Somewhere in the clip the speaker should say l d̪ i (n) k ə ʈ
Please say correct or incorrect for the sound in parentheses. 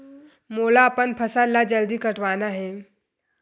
incorrect: none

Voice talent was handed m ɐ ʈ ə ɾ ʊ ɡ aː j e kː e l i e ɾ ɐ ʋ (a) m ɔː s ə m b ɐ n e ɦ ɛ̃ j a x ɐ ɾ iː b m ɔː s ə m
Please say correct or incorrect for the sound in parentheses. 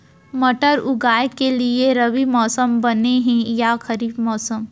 incorrect: i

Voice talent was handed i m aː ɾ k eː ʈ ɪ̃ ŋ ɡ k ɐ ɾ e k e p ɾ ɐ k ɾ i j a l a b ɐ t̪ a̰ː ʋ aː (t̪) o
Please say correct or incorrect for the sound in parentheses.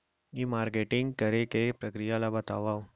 incorrect: none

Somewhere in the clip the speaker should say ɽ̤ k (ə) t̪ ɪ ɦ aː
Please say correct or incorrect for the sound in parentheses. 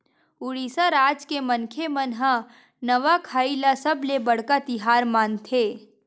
incorrect: a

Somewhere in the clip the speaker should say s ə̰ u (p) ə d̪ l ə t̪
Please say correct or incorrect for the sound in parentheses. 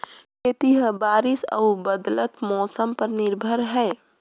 incorrect: b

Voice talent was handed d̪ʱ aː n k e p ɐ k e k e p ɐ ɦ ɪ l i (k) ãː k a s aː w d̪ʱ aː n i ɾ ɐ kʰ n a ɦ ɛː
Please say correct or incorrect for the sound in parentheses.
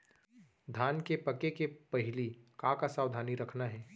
correct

